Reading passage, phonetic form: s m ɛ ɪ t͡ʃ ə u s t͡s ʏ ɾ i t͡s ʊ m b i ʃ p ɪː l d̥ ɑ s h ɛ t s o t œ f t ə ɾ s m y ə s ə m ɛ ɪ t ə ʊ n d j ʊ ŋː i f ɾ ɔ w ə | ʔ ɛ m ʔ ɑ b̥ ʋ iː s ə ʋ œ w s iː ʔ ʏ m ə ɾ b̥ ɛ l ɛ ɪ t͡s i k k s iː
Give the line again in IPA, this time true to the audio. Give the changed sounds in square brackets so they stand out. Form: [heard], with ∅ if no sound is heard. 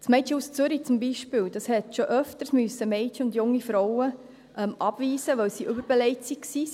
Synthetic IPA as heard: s m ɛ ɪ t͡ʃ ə u s t͡s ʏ ɾ i t͡s ʊ m b i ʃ p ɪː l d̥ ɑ s h ɛ t [ʃ] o [ʔ] œ f t ə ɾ s m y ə s ə m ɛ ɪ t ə ʊ n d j ʊ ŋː i f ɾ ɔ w ə | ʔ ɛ m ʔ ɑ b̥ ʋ iː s ə ʋ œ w s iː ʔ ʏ [b] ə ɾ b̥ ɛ l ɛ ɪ t͡s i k k s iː